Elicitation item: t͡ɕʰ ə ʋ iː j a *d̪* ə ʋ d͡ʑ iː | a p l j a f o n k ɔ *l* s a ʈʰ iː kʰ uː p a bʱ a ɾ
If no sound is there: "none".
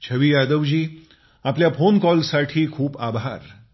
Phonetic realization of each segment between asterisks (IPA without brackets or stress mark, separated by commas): d̪, l